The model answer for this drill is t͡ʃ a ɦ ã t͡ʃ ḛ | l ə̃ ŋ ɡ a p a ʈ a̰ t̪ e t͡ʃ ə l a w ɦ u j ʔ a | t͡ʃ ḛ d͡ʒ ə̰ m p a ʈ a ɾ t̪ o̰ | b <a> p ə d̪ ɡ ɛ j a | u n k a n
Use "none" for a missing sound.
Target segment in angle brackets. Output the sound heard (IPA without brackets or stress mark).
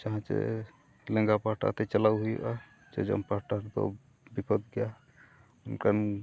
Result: i